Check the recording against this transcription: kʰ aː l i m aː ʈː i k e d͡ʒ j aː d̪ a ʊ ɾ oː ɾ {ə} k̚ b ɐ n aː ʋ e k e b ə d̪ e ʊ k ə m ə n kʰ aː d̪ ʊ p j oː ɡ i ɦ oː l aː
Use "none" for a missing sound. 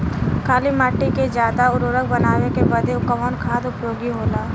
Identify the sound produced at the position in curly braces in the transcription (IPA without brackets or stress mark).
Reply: ə